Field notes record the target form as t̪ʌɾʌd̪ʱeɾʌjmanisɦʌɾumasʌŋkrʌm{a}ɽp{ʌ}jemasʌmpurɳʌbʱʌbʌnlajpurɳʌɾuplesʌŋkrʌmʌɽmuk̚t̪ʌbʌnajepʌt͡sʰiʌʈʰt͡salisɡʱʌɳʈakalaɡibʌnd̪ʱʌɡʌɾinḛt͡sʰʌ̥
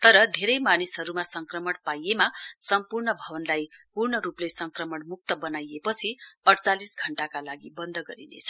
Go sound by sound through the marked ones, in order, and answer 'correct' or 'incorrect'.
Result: incorrect: ʌ, incorrect: a

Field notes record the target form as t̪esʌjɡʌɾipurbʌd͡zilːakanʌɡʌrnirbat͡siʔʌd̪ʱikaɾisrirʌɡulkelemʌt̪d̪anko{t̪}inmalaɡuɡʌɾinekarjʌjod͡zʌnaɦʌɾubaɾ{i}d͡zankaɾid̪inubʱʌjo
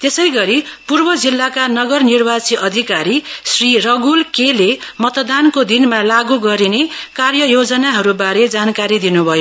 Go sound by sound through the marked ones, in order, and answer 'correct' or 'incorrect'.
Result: incorrect: d̪, incorrect: e

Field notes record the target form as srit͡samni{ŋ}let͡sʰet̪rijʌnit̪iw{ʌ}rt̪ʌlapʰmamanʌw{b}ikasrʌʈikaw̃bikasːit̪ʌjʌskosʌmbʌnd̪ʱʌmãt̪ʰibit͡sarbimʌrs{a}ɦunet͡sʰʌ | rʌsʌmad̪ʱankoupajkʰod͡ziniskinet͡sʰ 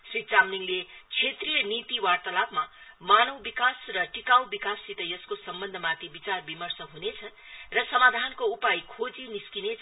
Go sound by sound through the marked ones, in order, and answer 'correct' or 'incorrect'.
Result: correct, incorrect: a, correct, incorrect: ʌ

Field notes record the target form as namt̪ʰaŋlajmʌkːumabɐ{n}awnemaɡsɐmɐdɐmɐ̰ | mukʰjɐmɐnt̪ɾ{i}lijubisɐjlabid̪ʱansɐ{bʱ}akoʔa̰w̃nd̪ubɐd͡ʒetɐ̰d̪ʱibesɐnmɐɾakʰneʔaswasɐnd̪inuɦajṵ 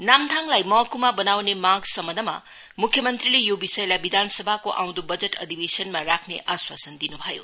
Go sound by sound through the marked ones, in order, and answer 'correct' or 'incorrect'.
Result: correct, correct, correct

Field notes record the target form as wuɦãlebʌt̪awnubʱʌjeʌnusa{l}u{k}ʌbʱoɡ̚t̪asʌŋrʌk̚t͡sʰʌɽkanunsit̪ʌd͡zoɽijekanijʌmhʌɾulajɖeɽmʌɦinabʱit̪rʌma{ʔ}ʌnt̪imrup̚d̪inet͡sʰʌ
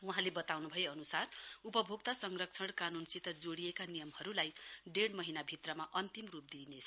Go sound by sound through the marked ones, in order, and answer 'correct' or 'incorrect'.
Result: incorrect: r, incorrect: p, correct

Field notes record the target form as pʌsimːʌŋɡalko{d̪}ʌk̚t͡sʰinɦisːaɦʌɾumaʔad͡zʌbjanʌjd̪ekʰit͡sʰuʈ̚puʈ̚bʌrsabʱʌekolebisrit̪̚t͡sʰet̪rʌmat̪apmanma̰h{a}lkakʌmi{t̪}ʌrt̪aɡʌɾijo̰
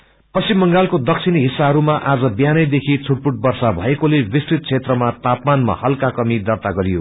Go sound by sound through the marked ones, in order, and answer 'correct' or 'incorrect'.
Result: correct, incorrect: ʌ, incorrect: d̪

